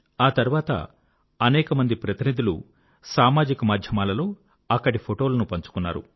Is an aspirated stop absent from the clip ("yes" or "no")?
no